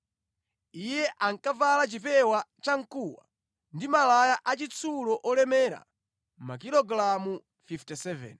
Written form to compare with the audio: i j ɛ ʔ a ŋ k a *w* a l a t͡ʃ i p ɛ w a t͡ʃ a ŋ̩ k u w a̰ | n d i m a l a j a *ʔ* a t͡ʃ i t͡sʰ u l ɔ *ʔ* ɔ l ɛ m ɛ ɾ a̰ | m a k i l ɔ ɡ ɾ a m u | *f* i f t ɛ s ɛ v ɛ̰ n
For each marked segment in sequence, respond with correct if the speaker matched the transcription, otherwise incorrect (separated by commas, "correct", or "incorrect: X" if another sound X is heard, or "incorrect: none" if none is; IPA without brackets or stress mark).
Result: incorrect: v, correct, correct, correct